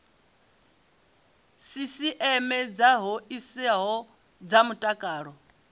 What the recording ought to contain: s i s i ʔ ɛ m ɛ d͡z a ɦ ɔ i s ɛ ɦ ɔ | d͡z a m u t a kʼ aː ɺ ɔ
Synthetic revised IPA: s i s i ʔ ɛ m ɛ d͡z a ɦ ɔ i s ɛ ɦ ɔ | d͡z a m u tʼ a kʼ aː ɺ ɔ